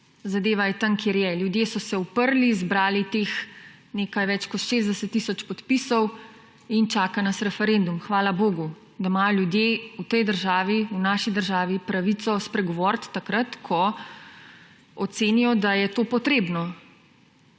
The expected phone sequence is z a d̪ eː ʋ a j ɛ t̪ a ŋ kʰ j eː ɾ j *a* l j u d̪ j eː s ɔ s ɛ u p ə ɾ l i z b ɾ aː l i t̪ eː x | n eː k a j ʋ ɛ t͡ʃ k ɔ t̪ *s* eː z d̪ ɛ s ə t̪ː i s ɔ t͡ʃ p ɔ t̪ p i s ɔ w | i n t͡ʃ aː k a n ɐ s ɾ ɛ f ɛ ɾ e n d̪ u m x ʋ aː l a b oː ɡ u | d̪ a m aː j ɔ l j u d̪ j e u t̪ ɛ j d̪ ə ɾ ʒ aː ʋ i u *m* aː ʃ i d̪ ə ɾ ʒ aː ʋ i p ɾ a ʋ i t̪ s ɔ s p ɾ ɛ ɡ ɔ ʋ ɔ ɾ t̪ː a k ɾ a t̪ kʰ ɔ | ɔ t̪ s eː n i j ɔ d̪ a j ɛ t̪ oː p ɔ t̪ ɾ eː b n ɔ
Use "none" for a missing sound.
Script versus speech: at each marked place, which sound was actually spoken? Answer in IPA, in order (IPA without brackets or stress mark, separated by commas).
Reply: ɛ, ʃ, n